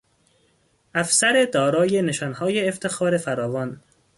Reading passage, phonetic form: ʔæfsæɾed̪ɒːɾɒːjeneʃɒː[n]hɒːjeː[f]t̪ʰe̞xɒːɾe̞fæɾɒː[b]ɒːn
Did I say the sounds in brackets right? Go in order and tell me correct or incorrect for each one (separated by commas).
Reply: correct, correct, incorrect